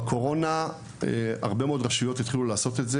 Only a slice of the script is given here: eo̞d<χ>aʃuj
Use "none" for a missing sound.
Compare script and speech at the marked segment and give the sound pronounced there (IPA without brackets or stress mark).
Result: ʁ